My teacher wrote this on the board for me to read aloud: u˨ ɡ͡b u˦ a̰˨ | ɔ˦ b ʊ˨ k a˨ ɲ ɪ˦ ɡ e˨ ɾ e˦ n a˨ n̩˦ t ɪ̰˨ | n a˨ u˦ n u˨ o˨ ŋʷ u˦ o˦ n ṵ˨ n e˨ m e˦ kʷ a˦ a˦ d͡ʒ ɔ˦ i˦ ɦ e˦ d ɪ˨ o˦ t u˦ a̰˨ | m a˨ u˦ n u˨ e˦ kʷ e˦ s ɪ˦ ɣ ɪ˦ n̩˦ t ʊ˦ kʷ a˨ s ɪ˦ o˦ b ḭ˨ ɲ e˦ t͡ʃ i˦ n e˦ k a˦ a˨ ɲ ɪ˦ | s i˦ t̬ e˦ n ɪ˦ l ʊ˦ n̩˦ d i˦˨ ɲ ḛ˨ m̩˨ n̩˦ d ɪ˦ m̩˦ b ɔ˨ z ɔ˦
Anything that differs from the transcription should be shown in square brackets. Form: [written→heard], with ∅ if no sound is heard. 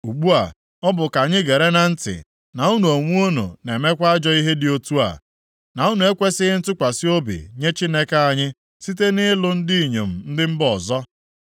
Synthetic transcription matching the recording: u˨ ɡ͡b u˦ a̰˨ | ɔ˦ b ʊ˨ k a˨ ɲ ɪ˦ ɡ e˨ ɾ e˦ n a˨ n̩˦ t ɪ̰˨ | n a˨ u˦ n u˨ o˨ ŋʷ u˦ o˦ n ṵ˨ n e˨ m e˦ kʷ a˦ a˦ d͡ʒ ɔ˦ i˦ ɦ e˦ d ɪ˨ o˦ t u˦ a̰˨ | [m→n] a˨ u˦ n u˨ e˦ kʷ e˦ s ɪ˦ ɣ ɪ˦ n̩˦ t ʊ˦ kʷ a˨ s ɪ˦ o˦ b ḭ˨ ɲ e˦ t͡ʃ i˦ n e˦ k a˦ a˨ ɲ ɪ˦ | s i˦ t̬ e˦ n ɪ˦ l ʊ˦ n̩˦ d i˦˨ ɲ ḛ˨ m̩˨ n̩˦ d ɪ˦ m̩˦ b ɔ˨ z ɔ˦